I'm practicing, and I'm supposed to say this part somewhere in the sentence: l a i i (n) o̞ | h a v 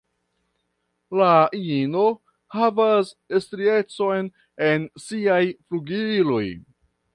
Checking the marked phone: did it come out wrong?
no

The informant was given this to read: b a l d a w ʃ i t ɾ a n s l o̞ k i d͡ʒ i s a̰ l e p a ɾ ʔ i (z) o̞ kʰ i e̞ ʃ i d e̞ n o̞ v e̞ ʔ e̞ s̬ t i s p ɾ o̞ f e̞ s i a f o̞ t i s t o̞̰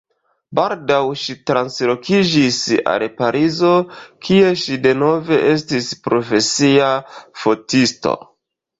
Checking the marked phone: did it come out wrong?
no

